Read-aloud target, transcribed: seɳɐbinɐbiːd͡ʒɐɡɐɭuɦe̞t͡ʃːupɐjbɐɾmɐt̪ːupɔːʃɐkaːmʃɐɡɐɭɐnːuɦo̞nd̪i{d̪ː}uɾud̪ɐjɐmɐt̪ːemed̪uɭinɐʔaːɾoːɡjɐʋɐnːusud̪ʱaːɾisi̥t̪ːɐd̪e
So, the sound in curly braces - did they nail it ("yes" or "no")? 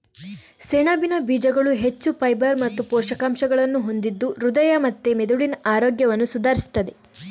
yes